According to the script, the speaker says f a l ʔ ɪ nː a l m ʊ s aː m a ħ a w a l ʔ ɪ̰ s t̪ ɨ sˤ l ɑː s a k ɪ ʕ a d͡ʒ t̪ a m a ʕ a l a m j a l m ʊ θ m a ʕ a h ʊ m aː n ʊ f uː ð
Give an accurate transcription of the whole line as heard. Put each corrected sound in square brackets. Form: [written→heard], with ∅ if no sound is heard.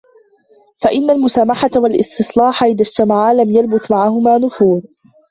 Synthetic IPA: f a [l→∅] ʔ ɪ nː a l m ʊ s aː m a ħ a w a l ʔ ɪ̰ s t̪ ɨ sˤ l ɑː [s→ħ] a [k→ʔ] ɪ [ʕ→ð] a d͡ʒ t̪ a m a ʕ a l a m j a l [m→b] ʊ θ m a ʕ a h ʊ m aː n ʊ f uː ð